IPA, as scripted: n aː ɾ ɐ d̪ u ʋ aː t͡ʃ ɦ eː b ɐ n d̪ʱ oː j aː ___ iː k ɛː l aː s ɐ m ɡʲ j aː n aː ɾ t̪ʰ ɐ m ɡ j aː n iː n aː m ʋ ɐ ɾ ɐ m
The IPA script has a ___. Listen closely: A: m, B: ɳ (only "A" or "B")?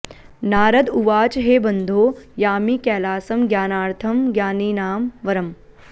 A